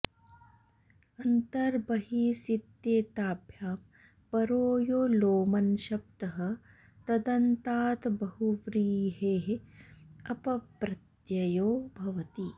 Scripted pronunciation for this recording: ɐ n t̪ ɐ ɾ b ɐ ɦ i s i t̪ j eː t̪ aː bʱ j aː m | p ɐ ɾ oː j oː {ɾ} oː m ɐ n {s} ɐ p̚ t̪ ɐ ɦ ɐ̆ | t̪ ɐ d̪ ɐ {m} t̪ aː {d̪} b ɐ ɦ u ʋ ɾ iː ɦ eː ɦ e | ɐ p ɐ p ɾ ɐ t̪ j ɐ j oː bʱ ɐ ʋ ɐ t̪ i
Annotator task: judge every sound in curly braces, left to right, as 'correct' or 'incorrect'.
incorrect: l, incorrect: ʃ, incorrect: n, incorrect: t̪

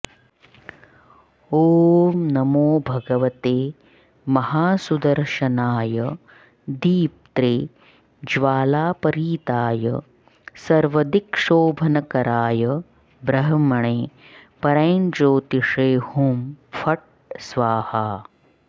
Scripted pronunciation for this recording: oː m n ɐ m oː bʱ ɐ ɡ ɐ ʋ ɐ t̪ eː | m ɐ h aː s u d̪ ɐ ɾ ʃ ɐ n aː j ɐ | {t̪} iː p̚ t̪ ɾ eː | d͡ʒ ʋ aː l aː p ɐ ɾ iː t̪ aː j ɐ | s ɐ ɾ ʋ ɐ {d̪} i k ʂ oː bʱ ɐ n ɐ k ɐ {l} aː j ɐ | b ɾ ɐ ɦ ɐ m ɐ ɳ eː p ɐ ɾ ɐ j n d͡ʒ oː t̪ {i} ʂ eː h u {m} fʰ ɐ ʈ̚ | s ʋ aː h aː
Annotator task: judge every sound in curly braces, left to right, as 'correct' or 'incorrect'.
incorrect: d̪, correct, incorrect: ɾ, correct, correct

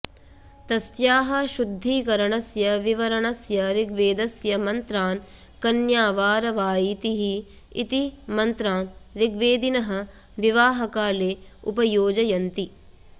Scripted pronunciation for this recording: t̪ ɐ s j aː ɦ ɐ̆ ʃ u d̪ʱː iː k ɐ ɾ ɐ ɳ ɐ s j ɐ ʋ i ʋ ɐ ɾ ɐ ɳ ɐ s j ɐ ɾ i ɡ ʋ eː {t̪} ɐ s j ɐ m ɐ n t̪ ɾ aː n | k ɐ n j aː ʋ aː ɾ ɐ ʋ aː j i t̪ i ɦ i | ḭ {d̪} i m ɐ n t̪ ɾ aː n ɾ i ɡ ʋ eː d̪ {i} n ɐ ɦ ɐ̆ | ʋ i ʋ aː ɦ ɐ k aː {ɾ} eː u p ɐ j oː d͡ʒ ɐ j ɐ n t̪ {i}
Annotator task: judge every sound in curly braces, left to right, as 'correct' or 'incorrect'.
incorrect: d̪, incorrect: t̪, correct, incorrect: l, correct

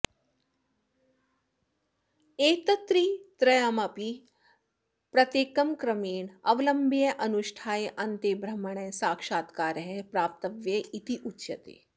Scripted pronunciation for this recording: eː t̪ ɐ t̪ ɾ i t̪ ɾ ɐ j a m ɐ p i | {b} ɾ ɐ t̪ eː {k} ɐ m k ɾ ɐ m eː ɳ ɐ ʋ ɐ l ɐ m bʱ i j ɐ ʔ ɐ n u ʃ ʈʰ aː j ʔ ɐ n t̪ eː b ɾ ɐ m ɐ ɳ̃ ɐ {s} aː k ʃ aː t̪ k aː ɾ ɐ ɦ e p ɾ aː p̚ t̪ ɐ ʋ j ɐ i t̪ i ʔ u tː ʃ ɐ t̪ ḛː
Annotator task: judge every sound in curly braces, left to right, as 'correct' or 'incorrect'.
incorrect: p, correct, correct

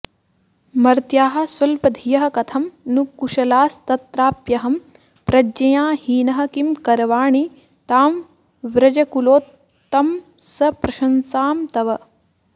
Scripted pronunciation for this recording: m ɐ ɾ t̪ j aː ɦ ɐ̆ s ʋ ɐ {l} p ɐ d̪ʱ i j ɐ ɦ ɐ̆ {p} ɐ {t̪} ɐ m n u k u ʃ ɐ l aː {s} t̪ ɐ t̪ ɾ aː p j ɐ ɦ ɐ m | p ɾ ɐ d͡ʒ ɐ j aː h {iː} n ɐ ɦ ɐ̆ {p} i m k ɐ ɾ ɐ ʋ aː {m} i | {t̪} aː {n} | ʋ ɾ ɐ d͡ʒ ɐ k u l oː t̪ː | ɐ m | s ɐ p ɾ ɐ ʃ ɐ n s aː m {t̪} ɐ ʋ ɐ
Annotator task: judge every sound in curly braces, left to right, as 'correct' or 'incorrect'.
correct, incorrect: k, incorrect: t̪ʰ, correct, correct, incorrect: k, incorrect: ɳ, correct, incorrect: m, correct

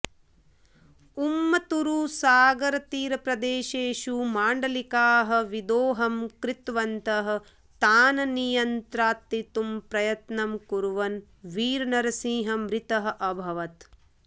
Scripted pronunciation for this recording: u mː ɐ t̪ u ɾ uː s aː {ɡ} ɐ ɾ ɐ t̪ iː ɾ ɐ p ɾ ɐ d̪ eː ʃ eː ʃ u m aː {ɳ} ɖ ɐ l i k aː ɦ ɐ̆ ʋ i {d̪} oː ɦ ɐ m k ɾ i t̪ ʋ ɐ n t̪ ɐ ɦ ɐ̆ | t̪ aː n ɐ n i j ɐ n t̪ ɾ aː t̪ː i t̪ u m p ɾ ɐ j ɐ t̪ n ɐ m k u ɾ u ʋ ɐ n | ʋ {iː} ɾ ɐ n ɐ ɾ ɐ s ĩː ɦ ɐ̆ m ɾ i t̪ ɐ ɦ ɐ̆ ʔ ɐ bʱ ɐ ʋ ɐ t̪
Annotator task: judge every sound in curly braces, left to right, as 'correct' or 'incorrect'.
correct, correct, correct, correct

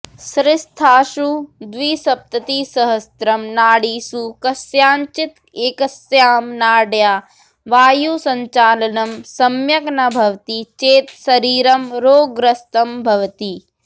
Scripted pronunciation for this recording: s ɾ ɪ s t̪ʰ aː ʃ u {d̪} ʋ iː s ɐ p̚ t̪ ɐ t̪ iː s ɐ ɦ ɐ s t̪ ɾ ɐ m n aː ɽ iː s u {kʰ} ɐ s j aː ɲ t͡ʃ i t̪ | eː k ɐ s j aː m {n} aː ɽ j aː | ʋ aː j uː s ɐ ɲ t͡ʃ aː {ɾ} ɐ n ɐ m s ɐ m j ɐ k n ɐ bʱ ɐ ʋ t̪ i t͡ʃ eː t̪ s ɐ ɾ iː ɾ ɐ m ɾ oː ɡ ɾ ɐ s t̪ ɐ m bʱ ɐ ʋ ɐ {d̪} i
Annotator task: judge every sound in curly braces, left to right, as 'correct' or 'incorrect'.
correct, incorrect: k, correct, incorrect: l, incorrect: t̪

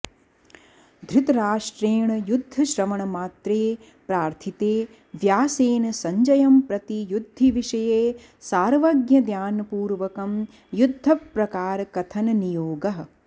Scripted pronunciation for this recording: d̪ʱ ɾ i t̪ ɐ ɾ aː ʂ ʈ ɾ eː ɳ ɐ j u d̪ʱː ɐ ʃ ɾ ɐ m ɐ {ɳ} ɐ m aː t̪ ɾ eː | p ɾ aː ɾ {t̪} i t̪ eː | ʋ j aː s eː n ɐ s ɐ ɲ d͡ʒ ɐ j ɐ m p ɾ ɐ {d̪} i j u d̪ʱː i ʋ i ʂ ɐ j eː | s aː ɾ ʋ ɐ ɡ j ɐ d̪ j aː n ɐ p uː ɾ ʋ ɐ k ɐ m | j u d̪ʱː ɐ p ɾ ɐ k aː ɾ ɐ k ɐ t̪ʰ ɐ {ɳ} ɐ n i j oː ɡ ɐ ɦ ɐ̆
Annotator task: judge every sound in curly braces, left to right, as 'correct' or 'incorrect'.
correct, incorrect: t̪ʰ, incorrect: t̪, incorrect: n

